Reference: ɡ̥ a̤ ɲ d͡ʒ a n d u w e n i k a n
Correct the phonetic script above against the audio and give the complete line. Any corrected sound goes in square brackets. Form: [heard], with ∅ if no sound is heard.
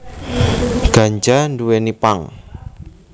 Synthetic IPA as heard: ɡ̥ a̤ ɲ d͡ʒ a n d u w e n i [p] a [ŋ]